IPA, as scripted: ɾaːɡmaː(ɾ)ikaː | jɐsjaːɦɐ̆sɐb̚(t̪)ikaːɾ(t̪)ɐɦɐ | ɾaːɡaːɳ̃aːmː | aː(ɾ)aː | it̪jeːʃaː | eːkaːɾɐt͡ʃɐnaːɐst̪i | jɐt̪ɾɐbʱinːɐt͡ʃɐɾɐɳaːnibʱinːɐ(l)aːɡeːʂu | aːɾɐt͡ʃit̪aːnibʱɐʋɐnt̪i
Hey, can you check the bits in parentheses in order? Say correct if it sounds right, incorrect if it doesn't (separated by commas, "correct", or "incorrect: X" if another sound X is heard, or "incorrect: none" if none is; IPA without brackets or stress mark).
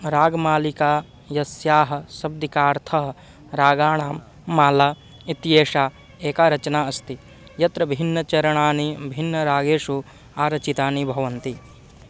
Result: incorrect: l, incorrect: d̪, incorrect: t̪ʰ, incorrect: l, incorrect: ɾ